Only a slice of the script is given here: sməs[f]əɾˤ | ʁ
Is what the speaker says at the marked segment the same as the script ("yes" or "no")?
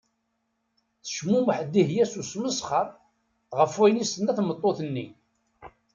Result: no